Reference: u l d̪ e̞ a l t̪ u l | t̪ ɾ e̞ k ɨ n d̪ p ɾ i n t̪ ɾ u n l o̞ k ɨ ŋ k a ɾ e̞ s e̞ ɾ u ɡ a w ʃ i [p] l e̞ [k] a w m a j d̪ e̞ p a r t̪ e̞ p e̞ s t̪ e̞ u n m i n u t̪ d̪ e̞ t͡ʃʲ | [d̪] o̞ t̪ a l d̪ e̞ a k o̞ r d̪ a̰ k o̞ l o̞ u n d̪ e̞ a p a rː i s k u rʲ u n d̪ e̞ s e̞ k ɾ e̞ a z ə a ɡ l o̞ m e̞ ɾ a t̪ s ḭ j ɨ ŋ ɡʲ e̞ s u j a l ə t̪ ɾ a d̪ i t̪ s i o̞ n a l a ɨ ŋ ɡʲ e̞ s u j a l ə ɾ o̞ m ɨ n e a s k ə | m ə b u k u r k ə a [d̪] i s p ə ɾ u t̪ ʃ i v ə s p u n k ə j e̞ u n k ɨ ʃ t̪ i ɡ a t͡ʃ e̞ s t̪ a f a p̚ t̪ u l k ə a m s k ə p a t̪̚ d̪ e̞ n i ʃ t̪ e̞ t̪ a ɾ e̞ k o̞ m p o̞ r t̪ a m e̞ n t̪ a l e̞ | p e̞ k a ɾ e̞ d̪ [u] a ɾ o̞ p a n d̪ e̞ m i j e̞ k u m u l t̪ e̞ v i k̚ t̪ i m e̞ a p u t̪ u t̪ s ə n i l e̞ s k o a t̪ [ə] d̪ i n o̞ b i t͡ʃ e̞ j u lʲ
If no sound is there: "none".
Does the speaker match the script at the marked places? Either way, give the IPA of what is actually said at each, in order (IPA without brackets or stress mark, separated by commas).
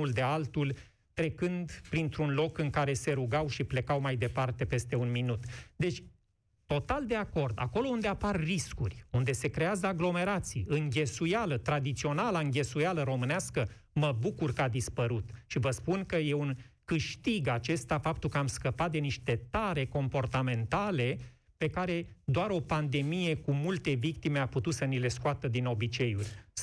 p, k, t̪, d̪, o, ə